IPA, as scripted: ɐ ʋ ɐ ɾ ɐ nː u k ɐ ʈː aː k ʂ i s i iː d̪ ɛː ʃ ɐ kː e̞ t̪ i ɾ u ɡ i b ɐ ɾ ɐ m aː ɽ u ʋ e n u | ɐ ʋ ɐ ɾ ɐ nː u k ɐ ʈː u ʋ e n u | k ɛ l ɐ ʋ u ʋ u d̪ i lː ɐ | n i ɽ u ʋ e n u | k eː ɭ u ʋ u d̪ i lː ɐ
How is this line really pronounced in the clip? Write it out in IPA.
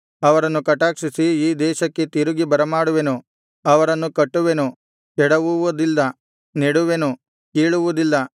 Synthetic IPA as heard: ɐ ʋ ɐ ɾ ɐ nː u k ɐ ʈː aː k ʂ i s i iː d̪ ɛː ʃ ɐ kː e̞ t̪ i ɾ u ɡ i b ɐ ɾ ɐ m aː ɽ u ʋ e n u | ɐ ʋ ɐ ɾ ɐ nː u k ɐ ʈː u ʋ e n u | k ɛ ɽ ɐ ʋ u ʋ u d̪ i lː ɐ | n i ɽ u ʋ e n u | k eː ɭ u ʋ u d̪ i lː ɐ